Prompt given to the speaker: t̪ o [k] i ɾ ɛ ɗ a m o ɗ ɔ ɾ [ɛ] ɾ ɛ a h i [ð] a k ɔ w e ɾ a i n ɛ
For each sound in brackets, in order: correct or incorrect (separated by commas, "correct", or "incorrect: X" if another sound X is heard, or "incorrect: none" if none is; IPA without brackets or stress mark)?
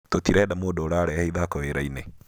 incorrect: t, incorrect: a, correct